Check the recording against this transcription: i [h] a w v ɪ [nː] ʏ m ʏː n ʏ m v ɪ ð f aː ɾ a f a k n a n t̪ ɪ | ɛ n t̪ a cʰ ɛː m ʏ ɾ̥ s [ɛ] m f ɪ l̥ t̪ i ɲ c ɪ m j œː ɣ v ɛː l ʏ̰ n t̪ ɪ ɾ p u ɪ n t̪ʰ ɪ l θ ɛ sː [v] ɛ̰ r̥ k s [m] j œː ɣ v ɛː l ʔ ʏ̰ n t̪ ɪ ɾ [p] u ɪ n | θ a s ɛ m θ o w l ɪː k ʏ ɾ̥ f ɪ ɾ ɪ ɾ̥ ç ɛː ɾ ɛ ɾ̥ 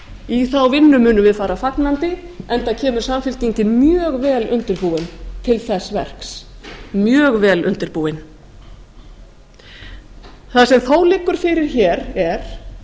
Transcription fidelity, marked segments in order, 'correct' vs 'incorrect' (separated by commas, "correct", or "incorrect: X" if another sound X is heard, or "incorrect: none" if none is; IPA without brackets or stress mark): incorrect: θ, correct, incorrect: a, correct, correct, correct